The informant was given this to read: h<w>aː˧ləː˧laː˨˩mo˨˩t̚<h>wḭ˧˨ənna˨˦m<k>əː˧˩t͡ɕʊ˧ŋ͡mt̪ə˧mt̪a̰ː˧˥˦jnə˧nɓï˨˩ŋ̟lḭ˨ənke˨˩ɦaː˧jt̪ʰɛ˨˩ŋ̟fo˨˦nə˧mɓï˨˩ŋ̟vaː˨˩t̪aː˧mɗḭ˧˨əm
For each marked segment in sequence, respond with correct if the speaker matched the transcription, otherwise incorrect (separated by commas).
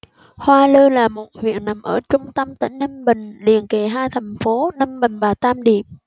correct, correct, incorrect